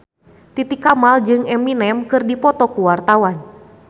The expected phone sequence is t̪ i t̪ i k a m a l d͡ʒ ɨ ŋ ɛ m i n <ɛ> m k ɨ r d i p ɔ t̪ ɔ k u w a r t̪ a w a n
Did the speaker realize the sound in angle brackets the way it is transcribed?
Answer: yes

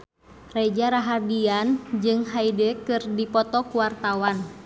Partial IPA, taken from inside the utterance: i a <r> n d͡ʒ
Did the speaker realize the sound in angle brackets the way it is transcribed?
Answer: no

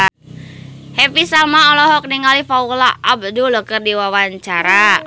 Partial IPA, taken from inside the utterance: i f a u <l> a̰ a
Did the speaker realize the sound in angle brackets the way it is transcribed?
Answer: yes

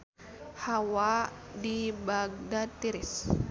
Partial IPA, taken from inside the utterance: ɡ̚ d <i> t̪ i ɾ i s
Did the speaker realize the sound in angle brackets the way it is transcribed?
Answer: no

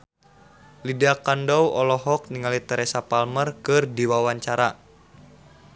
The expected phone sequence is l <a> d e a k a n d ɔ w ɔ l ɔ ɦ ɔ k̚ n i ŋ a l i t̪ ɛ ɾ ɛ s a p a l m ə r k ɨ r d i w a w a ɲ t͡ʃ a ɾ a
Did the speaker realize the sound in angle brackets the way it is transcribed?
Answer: no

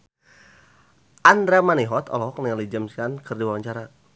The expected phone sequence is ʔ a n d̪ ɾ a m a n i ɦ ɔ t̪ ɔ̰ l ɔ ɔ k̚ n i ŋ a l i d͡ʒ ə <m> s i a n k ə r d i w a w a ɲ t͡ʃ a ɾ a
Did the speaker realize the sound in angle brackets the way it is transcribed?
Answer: yes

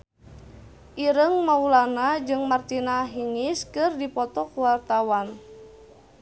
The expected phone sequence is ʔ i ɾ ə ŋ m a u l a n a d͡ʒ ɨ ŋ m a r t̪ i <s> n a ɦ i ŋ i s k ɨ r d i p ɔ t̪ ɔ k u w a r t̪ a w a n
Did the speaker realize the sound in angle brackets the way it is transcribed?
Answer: no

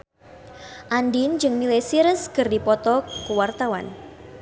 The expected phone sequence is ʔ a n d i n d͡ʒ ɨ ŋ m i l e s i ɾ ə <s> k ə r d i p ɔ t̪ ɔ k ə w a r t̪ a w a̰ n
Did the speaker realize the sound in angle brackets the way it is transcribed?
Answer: yes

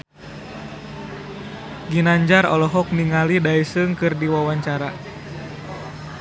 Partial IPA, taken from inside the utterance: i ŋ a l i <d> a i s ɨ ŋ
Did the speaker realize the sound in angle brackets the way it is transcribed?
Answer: yes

